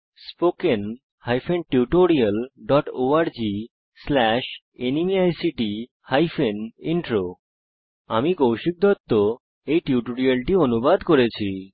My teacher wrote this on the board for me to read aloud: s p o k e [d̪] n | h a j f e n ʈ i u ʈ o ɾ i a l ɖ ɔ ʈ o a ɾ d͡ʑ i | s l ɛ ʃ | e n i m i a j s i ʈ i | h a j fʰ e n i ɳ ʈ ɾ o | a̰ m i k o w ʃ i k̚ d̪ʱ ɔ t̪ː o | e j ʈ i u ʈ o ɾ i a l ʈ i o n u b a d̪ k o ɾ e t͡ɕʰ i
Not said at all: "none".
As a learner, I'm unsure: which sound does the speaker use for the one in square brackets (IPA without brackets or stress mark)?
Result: none